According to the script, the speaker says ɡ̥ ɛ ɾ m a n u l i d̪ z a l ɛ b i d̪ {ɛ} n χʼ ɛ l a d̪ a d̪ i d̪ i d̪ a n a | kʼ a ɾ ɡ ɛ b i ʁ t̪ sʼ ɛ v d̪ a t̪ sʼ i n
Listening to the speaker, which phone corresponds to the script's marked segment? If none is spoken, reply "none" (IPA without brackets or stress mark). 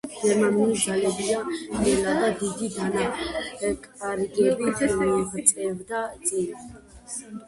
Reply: a